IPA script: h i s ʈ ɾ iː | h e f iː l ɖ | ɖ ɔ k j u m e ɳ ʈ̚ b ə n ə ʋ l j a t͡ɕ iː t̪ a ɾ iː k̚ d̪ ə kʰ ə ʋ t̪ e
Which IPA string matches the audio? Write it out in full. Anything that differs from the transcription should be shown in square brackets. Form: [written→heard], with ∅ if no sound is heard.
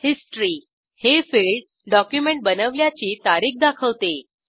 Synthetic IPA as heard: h i s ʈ ɾ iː | h e f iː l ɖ | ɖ ɔ k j u m e ɳ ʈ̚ b ə n ə ʋ l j a t͡ɕ iː t̪ a ɾ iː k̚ d̪ [ə→a] kʰ ə ʋ t̪ e

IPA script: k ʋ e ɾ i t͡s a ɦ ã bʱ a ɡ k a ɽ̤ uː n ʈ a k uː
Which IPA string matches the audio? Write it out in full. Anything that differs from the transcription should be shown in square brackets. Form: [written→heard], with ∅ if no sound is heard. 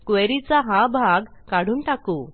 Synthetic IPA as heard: k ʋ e ɾ i t͡s a ɦ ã bʱ a ɡ k a ɽ̤ uː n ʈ a k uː

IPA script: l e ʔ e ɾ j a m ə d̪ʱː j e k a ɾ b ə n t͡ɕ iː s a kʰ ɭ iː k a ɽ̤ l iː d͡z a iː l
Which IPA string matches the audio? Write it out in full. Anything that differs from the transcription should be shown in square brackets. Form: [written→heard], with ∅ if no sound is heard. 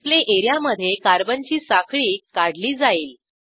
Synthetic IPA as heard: l e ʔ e ɾ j a m ə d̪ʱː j e k a ɾ b ə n t͡ɕ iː s a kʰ ɭ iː k a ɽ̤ l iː d͡z a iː l

